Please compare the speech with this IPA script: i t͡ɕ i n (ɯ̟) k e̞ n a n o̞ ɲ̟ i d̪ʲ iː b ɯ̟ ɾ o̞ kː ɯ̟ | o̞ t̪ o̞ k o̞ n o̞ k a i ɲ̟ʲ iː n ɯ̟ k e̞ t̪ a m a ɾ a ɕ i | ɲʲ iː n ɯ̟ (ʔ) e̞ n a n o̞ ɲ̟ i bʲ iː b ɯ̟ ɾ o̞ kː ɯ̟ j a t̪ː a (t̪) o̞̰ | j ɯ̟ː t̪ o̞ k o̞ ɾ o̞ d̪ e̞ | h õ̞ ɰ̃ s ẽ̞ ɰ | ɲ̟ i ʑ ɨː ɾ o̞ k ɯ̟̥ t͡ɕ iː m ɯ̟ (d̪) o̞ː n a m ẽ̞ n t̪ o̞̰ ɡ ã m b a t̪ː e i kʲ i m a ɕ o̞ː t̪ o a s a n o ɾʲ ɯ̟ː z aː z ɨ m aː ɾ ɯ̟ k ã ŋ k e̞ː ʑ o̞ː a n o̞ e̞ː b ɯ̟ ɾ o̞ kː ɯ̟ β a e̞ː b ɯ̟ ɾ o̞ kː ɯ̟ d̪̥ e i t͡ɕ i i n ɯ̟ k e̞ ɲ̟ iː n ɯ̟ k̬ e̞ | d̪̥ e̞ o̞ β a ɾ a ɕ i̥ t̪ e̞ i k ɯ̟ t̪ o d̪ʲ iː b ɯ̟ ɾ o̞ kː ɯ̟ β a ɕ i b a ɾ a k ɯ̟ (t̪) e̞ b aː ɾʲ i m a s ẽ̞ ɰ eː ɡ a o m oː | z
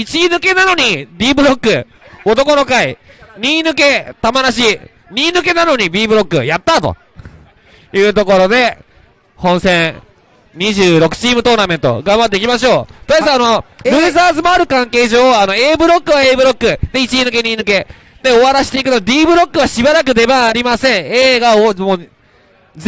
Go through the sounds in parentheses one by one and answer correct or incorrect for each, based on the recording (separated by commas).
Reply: correct, incorrect, correct, incorrect, incorrect